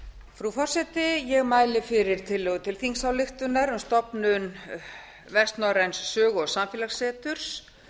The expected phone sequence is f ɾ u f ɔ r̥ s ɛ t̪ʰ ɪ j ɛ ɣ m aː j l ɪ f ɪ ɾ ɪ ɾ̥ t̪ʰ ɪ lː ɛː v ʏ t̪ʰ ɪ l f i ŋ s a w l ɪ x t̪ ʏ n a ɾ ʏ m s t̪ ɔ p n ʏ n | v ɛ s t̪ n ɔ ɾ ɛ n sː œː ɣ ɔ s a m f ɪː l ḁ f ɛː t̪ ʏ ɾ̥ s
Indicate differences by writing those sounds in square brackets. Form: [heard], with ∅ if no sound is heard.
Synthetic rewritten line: f ɾ u f ɔ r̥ s ɛ [t̪] ɪ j ɛ ɣ m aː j l ɪ f ɪ ɾ ɪ ɾ̥ t̪ʰ ɪ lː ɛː [ɣ] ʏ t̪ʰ ɪ l [θ] i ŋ s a w l ɪ x t̪ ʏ n a ɾ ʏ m s t̪ ɔ p n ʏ n | v ɛ s t̪ n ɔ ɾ ɛ n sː œː ɣ ɔ s a m f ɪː l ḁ [s] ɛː t̪ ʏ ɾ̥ s